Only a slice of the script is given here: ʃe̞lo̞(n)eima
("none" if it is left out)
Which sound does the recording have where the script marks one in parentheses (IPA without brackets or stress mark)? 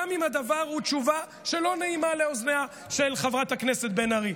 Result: n